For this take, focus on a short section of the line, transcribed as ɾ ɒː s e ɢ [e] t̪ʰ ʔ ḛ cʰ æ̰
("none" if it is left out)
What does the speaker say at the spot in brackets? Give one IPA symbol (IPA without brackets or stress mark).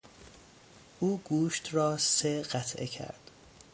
æ